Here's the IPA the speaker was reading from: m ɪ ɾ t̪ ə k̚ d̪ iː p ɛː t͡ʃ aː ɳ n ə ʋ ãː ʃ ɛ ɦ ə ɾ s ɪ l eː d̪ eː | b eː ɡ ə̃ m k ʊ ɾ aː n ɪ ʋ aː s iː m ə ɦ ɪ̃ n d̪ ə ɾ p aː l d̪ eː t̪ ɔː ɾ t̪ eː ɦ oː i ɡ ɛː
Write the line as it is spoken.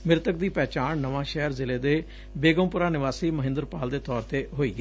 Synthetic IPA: m ɪ ɾ t̪ ə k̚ d̪ iː p ɛː t͡ʃ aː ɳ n ə ʋ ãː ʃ ɛ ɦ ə ɾ z ɪ l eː d̪ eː | b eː ɡ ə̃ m p ʊ ɾ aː n ɪ ʋ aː s iː m ə ɦ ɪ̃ n d̪ ə ɾ p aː l d̪ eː t̪ ɔː ɾ t̪ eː ɦ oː iː ɡ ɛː